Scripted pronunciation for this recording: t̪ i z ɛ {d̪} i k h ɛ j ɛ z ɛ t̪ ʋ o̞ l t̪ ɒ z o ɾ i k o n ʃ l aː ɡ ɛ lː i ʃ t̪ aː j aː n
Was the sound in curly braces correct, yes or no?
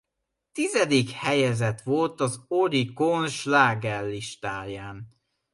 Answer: yes